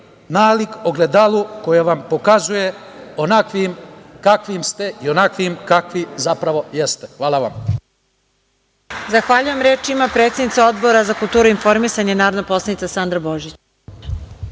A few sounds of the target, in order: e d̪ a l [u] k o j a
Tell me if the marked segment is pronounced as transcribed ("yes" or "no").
yes